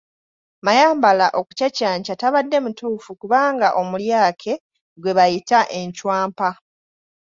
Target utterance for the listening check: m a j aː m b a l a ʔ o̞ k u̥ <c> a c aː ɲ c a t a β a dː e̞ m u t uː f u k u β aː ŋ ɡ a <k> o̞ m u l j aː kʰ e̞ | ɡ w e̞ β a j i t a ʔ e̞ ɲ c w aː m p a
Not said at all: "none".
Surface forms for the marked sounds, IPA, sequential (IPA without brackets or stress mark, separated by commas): c, ʔ